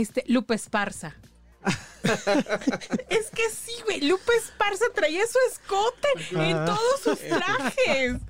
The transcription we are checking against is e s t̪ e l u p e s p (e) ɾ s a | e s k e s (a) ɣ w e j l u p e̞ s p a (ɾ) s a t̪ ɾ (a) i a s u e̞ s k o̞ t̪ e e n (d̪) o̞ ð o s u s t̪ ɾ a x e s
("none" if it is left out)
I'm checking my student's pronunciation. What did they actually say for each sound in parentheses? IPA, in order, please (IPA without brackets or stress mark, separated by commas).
a, i, ɾ, a, t̪